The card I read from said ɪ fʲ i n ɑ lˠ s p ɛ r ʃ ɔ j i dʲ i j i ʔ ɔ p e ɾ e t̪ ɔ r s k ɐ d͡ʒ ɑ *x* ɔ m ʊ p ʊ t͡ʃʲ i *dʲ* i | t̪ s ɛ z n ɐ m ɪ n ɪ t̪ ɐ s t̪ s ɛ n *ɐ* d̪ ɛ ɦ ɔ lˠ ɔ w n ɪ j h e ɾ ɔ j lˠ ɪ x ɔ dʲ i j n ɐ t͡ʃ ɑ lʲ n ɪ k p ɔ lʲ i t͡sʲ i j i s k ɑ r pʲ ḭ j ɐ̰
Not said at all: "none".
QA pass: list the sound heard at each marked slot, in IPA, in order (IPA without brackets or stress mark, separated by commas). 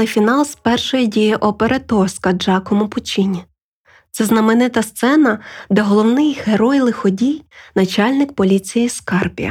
k, nʲ, ɐ